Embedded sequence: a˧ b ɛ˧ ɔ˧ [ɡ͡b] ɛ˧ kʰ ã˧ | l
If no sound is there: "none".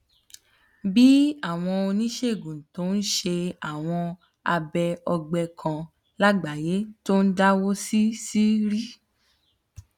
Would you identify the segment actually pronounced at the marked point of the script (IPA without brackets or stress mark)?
ɡ͡b